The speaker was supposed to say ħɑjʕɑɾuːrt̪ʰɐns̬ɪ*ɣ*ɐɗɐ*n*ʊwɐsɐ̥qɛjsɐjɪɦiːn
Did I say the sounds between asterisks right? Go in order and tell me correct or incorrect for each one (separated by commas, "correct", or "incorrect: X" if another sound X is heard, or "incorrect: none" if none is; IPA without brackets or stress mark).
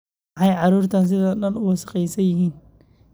incorrect: ð, correct